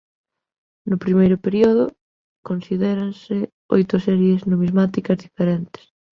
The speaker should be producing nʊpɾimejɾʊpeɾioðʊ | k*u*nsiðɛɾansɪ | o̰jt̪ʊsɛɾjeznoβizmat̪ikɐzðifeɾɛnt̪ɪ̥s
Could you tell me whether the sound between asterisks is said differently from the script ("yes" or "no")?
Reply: yes